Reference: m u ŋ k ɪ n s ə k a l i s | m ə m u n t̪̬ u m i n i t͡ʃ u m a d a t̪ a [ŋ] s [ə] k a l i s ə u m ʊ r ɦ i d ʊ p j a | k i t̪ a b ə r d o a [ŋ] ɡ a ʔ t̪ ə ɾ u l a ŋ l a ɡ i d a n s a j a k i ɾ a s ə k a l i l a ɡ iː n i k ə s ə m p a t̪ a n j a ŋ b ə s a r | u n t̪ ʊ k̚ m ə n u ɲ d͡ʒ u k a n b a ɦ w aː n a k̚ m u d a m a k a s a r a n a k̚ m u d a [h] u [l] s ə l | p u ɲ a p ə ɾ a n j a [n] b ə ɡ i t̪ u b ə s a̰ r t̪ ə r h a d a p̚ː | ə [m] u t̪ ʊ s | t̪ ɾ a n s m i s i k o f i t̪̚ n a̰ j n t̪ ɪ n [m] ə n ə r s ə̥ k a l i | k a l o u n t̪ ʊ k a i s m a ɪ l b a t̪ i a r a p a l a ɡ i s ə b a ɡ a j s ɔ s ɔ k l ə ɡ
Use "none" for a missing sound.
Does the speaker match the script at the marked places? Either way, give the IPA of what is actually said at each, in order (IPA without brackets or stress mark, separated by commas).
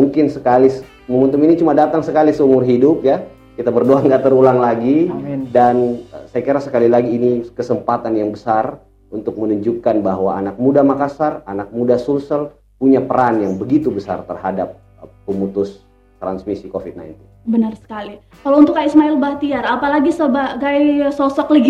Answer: ŋ, ə, ŋ, s, l, ŋ, m, b